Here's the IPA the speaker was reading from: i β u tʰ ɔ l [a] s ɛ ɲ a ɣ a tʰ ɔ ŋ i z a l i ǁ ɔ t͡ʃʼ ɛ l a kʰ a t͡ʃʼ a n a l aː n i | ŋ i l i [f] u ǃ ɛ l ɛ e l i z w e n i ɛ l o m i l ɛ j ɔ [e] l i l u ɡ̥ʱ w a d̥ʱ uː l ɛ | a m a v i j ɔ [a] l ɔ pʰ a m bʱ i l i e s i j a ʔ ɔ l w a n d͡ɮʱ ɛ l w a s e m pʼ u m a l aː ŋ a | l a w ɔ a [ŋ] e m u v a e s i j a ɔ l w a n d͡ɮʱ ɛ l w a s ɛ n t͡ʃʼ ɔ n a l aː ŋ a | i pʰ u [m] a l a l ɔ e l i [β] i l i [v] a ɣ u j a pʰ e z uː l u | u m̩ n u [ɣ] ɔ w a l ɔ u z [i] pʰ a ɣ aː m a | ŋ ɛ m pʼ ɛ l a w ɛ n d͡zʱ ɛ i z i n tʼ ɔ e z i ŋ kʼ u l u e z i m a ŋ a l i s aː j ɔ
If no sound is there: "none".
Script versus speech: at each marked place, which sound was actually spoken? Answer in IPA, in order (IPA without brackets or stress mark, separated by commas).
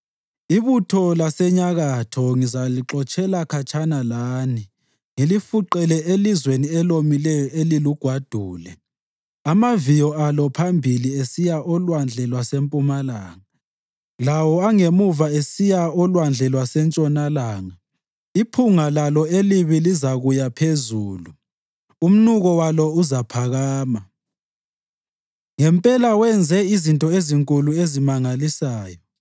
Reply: a, f, e, a, ŋ, ŋ, β, z, ɣ, a